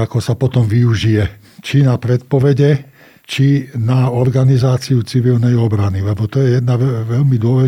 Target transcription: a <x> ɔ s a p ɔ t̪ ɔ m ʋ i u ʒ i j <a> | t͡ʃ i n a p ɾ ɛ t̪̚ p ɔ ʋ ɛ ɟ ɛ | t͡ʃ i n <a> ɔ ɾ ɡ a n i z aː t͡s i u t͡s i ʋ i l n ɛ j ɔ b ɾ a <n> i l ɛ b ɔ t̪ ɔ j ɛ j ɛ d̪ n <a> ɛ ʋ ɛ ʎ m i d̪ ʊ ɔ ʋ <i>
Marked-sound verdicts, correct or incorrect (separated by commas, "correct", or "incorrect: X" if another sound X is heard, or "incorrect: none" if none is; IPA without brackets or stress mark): incorrect: k, incorrect: ɛ, correct, correct, correct, incorrect: ɛ